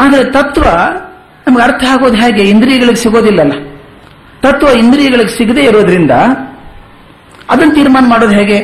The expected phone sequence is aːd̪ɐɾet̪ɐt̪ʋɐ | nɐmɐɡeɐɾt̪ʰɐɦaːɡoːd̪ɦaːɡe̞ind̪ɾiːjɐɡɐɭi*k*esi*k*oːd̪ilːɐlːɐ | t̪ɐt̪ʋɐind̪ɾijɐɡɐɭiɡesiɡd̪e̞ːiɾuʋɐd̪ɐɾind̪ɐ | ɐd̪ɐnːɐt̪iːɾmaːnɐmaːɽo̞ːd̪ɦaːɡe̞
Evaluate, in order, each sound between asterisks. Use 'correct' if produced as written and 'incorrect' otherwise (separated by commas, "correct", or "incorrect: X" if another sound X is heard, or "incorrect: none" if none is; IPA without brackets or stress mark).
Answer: incorrect: ɡ, incorrect: ɡ